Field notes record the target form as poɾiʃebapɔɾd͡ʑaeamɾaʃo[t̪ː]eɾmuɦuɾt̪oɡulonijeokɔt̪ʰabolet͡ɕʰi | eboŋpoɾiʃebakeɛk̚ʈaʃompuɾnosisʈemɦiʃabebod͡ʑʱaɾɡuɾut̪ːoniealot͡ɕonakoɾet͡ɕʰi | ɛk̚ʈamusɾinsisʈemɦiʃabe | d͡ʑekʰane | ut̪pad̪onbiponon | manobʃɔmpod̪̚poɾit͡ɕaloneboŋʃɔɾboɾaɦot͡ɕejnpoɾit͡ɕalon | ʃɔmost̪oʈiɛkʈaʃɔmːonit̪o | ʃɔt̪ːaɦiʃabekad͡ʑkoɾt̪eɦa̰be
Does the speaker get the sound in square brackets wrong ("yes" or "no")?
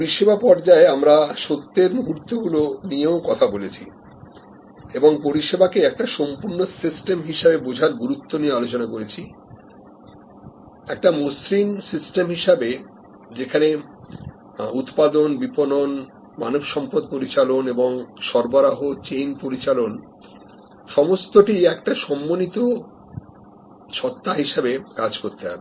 no